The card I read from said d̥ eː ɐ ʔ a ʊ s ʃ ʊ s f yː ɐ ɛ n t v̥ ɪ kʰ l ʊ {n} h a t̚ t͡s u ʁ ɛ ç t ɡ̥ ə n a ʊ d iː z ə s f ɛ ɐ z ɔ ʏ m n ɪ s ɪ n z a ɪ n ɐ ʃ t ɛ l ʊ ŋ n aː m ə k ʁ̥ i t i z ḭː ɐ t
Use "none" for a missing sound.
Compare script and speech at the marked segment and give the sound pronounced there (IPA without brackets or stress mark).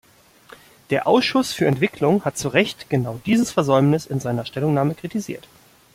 ŋ